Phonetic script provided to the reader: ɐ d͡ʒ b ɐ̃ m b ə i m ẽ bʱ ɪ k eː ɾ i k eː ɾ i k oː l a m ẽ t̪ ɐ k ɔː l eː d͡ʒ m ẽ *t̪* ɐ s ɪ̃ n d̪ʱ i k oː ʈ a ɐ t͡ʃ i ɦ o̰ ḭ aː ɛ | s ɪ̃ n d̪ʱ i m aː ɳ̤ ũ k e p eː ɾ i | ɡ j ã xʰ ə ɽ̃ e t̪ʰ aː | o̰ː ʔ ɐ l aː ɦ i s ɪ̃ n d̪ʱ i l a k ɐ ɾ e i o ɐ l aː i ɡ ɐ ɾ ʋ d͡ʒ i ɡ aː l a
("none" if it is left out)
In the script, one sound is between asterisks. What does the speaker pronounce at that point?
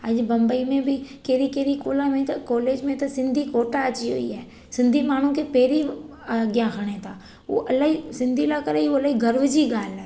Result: t̪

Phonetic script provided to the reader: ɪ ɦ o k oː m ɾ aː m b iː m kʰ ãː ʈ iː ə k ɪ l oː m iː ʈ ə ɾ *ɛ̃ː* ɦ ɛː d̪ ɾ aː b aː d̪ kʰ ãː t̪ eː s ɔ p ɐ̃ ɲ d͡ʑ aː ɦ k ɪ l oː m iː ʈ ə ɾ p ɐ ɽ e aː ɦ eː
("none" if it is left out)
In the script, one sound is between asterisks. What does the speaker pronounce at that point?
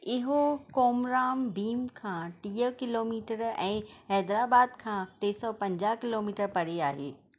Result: ɛ̃ː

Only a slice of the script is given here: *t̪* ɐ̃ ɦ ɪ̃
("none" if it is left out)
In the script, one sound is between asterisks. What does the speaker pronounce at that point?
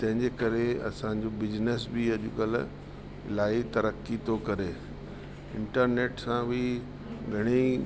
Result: t̪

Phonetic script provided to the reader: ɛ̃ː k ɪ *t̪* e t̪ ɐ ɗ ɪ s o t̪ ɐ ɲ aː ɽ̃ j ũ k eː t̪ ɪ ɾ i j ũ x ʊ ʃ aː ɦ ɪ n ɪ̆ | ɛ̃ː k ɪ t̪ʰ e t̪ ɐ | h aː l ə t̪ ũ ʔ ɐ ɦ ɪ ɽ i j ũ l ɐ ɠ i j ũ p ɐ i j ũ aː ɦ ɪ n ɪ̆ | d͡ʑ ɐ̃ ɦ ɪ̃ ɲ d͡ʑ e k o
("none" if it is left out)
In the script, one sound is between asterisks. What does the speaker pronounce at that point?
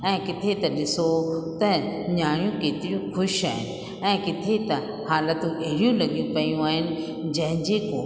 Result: t̪ʰ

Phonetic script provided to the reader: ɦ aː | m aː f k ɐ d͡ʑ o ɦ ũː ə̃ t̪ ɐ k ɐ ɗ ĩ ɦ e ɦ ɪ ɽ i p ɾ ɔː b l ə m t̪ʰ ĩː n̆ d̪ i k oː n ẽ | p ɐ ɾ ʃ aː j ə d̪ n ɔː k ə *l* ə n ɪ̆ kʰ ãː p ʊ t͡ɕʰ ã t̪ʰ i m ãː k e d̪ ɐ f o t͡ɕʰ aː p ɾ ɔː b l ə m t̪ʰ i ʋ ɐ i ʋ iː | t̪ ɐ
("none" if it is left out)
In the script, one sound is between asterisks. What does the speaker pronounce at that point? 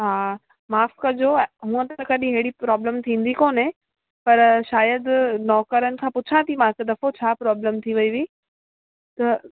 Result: ɾ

